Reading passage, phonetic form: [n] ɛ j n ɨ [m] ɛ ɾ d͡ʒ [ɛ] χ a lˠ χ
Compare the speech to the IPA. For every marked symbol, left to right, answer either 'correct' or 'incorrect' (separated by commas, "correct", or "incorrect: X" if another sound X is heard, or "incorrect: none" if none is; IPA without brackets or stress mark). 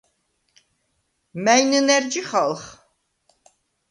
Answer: incorrect: m, incorrect: n, incorrect: i